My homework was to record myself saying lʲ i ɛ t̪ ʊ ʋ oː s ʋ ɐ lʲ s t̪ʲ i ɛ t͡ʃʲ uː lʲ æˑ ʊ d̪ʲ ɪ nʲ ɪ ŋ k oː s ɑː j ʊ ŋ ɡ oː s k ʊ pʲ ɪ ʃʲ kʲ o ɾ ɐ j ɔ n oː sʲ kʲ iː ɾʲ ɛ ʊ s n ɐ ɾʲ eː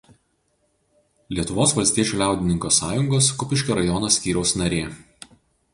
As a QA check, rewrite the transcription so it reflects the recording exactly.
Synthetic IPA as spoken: lʲ i ɛ t̪ ʊ ʋ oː s ʋ ɐ lʲ s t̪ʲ i ɛ t͡ʃʲ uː lʲ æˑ ʊ d̪ʲ ɪ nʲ ɪ ŋ k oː s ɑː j ʊ ŋ ɡ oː s k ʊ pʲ ɪ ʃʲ kʲ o ɾ ɐ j ɔ n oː sʲ kʲ iː ɾʲ ɛ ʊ s n ɐ ɾʲ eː